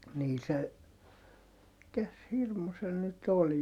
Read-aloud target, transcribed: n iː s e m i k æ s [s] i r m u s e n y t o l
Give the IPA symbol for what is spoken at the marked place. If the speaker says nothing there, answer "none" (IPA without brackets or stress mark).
h